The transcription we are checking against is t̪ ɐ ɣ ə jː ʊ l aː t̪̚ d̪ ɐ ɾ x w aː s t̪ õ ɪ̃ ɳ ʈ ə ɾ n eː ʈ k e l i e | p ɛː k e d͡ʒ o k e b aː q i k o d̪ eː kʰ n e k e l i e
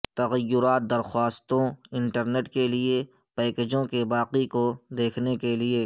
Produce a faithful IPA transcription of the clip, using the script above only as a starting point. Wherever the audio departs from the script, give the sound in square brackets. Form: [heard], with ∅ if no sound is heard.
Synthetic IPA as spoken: t̪ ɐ ɣ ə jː ʊ [ɾ] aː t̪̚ d̪ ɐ ɾ x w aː s t̪ õ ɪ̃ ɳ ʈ ə ɾ n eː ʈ k e l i e | p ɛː k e d͡ʒ [õ] k e b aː q i k o d̪ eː kʰ n e k e l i e

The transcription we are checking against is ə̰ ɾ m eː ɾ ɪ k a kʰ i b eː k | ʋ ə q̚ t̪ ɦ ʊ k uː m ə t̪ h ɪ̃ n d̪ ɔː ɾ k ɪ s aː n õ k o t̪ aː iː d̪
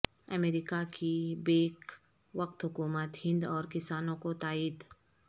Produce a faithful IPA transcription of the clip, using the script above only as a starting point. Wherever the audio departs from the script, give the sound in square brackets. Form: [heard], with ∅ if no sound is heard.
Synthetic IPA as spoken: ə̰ [∅] m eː ɾ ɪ k a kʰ i b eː k | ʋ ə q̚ t̪ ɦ ʊ k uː m ə t̪ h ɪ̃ n d̪ ɔː ɾ k ɪ s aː n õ k o t̪ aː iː d̪

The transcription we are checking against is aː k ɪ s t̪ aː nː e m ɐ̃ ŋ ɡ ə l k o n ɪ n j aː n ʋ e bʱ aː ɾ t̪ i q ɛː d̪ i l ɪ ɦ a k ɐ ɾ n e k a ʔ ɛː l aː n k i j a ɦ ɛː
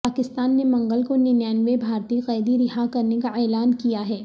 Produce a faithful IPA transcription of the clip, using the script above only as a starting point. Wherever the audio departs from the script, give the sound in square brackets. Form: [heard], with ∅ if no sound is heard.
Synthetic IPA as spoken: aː k ɪ s t̪ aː nː e m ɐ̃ ŋ ɡ ə l k o n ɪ n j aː n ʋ e bʱ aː ɾ t̪ i q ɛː d̪ i [ɾ] ɪ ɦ a k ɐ ɾ n e k a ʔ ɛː l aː n k i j a ɦ ɛː

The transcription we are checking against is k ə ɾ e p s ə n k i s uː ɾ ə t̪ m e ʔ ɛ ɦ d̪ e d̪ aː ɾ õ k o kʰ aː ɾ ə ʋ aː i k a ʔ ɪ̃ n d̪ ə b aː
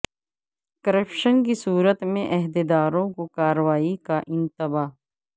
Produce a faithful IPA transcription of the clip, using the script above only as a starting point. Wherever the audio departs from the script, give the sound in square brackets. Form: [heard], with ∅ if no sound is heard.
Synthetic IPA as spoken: k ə ɾ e p [ʃ] ə n k i s uː ɾ ə t̪ m [ẽ] ʔ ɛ ɦ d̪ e d̪ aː ɾ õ k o [k] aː ɾ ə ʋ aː i k a ʔ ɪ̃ n [t̪] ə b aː

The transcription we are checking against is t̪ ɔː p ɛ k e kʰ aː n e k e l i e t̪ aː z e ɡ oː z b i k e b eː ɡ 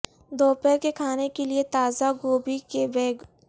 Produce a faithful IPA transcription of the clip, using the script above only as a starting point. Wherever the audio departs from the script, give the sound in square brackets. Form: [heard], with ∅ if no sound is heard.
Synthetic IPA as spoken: [d̪] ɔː p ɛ k e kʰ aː n e k e l i e t̪ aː z [a] ɡ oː [∅] b i k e b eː ɡ

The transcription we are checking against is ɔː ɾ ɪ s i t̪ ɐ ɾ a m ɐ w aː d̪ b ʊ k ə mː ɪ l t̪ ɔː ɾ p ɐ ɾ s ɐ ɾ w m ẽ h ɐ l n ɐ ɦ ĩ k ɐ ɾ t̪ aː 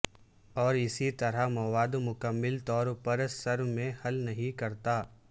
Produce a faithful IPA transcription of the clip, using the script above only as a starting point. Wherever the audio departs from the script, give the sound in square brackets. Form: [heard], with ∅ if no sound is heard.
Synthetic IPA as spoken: ɔː ɾ ɪ s i t̪ ɐ ɾ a m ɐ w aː d̪ [m] ʊ k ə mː ɪ l t̪ ɔː ɾ p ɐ ɾ s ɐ ɾ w m ẽ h ɐ l n ɐ ɦ ĩ k ɐ ɾ t̪ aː

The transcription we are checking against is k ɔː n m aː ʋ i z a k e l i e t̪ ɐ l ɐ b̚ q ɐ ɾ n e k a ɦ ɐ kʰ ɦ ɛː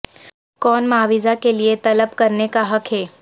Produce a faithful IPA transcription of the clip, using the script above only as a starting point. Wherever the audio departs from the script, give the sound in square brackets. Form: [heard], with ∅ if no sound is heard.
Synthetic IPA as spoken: k ɔː n m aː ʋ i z a k e l i e t̪ ɐ l [ə] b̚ [k] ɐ ɾ n e k a ɦ ɐ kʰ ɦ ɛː

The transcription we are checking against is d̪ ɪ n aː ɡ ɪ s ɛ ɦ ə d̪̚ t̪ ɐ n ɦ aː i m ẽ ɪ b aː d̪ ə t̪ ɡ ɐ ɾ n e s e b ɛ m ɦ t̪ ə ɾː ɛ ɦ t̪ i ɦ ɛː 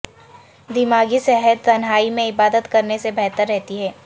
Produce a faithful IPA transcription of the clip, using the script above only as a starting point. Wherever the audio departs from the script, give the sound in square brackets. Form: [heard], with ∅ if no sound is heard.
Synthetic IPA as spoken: d̪ ɪ [m] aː ɡ [i] s ɛ ɦ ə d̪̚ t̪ ɐ n ɦ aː i m ẽ ɪ b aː d̪ ə t̪ [k] ɐ ɾ n e s e b ɛ [∅] ɦ t̪ ə ɾː ɛ ɦ t̪ i ɦ ɛː

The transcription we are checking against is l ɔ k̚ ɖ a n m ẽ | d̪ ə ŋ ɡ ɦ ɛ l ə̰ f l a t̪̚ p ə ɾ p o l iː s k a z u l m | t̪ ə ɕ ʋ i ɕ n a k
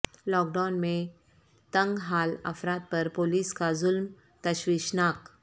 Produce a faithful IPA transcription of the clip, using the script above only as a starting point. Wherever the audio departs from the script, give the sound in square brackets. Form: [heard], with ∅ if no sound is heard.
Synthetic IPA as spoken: l ɔ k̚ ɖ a n m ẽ | [t̪] ə ŋ ɡ ɦ [a] l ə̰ f [ɾ] a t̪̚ p ə ɾ p o l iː s k a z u l m | t̪ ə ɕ ʋ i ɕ n a k

